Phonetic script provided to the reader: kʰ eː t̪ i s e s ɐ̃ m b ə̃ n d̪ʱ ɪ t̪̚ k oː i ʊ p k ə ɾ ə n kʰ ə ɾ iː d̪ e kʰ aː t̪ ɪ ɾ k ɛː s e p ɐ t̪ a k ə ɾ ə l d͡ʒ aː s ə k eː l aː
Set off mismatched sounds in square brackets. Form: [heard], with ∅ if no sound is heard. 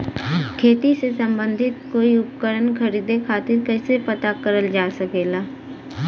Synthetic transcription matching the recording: kʰ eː t̪ i s e s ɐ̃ m b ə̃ n d̪ʱ ɪ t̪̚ k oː i ʊ p k ə ɾ ə n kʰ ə ɾ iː d̪ e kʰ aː t̪ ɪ ɾ k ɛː s e p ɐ t̪ a k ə ɾ ə l d͡ʒ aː s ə k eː l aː